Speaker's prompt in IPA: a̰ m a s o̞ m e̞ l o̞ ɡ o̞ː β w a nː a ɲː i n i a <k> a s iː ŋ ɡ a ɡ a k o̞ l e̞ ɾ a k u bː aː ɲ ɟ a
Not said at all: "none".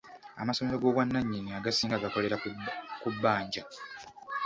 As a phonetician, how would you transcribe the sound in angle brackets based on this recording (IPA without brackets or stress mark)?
ɡ